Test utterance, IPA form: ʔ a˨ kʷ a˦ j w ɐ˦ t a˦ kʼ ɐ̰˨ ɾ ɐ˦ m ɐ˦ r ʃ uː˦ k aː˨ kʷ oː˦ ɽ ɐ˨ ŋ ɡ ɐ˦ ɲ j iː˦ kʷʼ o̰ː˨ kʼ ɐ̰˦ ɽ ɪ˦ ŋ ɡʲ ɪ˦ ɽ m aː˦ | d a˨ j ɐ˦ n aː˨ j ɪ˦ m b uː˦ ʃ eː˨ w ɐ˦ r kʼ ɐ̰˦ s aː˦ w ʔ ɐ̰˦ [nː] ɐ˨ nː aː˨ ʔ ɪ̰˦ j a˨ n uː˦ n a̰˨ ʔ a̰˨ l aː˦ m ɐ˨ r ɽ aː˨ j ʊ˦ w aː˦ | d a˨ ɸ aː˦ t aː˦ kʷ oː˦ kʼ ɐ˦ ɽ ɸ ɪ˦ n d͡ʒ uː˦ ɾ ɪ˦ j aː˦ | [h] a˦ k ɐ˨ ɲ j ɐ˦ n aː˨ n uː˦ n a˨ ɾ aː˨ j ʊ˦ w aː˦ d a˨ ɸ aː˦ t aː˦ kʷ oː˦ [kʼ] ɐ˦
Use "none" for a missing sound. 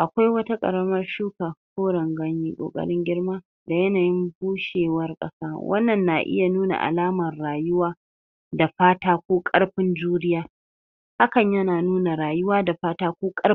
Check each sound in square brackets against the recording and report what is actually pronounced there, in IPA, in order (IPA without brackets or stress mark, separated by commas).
nː, h, kʼ